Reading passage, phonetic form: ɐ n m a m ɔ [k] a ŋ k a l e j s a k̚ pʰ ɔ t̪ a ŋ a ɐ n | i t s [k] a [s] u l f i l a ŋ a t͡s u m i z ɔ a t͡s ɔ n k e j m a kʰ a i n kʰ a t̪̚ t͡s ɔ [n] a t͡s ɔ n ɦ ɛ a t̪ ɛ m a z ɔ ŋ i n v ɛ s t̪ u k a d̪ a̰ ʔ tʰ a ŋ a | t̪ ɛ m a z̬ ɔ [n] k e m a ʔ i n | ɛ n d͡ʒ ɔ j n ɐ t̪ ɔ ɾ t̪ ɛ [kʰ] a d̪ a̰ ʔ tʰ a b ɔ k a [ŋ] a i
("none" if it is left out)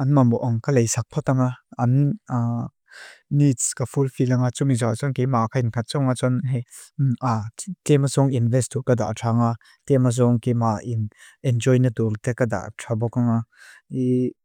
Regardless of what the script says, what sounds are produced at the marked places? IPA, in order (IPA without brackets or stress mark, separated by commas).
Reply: ʔ, k, f, ŋ, ŋ, k, ŋ